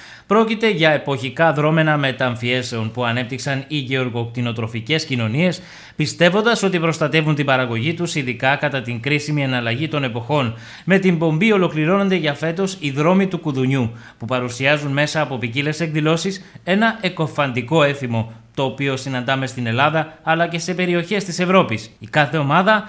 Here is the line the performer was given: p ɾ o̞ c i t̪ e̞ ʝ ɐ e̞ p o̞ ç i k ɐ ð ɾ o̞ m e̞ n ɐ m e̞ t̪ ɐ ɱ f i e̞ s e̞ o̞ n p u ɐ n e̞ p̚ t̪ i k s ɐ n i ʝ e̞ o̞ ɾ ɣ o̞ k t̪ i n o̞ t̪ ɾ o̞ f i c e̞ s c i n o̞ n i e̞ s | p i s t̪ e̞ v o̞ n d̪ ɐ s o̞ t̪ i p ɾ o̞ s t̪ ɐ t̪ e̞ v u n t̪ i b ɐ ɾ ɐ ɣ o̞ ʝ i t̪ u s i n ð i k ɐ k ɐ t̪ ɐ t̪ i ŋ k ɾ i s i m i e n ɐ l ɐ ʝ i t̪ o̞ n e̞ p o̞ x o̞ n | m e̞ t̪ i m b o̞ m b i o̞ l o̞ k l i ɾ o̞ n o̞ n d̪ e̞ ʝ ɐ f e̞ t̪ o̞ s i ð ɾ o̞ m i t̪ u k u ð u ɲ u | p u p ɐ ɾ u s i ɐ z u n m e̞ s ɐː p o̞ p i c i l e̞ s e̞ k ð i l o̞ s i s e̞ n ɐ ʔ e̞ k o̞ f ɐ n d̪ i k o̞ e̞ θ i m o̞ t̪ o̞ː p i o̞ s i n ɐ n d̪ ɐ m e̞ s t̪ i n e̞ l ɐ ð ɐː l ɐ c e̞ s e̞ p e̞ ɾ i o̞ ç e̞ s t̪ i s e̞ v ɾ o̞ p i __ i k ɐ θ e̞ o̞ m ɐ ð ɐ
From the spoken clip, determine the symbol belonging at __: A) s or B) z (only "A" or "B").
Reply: A